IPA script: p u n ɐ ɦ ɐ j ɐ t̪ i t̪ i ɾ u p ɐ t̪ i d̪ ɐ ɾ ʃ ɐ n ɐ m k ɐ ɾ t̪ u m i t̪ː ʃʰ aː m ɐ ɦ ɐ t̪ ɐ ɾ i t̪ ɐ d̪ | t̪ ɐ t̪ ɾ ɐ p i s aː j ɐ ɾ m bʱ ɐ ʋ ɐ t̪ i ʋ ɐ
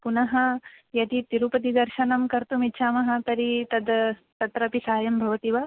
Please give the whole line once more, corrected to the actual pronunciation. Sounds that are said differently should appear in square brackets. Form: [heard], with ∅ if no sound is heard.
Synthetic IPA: p u n ɐ ɦ ɐ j ɐ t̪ i t̪ i ɾ u p ɐ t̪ i d̪ ɐ ɾ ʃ ɐ n ɐ m k ɐ ɾ t̪ u m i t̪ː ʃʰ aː m ɐ ɦ ɐ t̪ ɐ ɾ i t̪ ɐ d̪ | t̪ ɐ t̪ ɾ ɐ p i s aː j ɐ [∅] m bʱ ɐ ʋ ɐ t̪ i ʋ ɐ